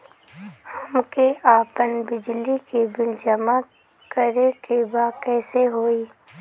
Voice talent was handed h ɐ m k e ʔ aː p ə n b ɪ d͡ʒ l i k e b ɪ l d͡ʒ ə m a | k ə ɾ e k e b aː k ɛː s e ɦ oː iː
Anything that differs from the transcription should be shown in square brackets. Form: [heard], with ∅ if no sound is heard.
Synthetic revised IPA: h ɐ m k e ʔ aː p ə n b ɪ d͡ʒ l i k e b ɪ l d͡ʒ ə m a | k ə ɾ e k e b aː k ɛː s e ɦ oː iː